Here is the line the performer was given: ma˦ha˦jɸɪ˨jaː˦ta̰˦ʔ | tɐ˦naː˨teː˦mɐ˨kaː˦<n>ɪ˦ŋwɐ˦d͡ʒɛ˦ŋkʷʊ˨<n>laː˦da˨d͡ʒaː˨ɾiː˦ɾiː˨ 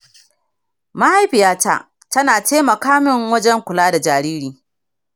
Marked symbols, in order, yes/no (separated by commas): no, no